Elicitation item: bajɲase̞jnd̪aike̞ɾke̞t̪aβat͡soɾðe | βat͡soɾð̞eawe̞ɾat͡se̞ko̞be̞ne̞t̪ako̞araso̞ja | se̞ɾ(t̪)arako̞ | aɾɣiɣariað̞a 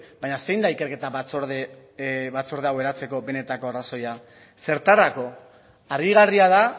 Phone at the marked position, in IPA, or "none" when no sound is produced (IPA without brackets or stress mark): t̪